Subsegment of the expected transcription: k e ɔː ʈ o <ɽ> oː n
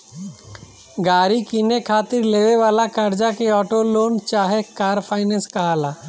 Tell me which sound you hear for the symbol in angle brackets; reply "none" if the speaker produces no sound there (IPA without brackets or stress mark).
l